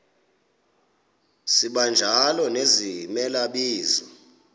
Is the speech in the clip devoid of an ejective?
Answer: yes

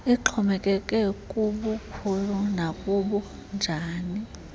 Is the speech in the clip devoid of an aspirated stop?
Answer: no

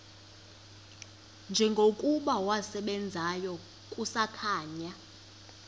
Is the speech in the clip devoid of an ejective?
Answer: no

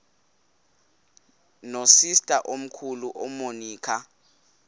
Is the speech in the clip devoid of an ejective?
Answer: no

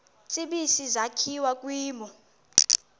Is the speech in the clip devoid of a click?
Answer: yes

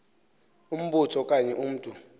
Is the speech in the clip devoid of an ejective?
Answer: no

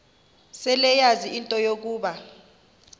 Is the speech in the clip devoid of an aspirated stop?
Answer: yes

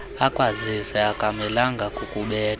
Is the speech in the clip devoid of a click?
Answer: yes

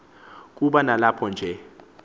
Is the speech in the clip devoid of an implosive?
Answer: no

